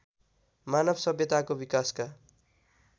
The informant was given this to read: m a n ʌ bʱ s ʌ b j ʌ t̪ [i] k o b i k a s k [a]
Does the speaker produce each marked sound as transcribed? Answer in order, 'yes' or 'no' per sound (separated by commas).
no, yes